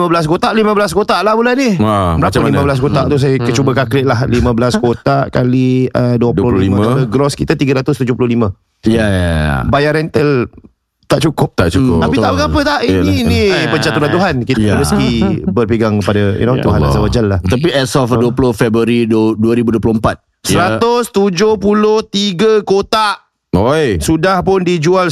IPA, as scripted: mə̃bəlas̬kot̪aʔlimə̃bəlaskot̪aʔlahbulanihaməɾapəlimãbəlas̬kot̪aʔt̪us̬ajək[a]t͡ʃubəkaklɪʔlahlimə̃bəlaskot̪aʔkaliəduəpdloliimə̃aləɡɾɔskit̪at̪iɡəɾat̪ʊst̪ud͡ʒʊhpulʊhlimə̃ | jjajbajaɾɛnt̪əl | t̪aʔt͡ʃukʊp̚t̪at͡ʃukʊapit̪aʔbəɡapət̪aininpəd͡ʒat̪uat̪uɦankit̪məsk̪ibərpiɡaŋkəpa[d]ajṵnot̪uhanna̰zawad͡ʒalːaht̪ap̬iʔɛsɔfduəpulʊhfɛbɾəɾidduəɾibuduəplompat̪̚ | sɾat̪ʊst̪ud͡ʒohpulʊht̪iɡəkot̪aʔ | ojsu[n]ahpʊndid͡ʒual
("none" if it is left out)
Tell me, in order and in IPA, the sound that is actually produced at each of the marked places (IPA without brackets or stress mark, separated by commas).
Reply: ə, d, d